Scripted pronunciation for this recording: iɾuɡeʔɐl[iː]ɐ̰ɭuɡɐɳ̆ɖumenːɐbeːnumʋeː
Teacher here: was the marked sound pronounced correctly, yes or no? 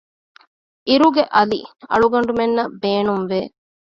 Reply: no